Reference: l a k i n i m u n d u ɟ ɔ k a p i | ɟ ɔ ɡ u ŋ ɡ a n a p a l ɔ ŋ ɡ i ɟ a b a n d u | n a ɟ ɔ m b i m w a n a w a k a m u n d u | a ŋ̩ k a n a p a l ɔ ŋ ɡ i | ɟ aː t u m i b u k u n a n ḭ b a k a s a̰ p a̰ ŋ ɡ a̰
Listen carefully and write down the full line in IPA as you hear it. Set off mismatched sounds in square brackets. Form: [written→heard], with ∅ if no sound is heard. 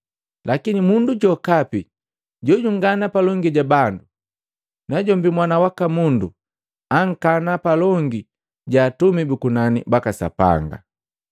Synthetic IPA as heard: l a k i n i m u n d u ɟ ɔ k a p i | ɟ ɔ [ɡ→ɟ] u ŋ ɡ a n a p a l ɔ ŋ ɡ i ɟ a b a n d u | n a ɟ ɔ m b i m w a n a w a k a m u n d u | a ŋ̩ k a n a p a l ɔ ŋ ɡ i | ɟ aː t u m i b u k u n a n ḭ b a k a s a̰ p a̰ ŋ ɡ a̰